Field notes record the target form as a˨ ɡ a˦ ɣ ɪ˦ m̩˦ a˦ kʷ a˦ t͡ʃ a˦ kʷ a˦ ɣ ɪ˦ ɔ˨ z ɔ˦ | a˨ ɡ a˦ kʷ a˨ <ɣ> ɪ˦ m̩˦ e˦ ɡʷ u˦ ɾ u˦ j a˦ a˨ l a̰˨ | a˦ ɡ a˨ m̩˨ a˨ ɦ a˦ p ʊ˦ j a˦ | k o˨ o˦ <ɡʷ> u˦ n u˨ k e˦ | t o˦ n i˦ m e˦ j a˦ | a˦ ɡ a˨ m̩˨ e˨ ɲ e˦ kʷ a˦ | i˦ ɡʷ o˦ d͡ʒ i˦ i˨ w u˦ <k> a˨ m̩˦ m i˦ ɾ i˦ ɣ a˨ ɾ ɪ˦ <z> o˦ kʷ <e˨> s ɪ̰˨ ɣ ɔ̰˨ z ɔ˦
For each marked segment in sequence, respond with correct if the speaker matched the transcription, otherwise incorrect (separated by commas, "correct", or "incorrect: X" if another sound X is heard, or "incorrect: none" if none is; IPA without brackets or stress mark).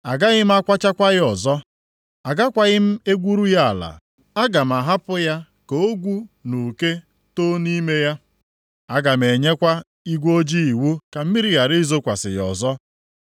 correct, correct, correct, correct, incorrect: a˨